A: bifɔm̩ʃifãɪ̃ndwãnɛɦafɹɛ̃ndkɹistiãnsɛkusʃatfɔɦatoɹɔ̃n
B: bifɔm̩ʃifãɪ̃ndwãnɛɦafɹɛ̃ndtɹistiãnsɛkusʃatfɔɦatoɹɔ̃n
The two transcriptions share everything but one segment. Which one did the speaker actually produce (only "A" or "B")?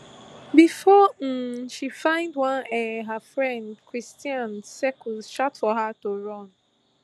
A